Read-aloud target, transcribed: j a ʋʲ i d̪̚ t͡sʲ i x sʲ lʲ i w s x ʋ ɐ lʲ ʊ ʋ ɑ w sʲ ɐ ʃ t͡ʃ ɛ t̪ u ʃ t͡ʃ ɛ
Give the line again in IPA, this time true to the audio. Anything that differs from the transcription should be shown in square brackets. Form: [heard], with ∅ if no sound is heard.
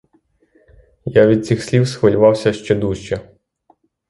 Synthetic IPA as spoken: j a ʋʲ i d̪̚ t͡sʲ i x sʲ lʲ i w s x ʋ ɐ lʲ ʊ ʋ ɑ w sʲ ɐ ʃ t͡ʃ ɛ [d̪] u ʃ t͡ʃ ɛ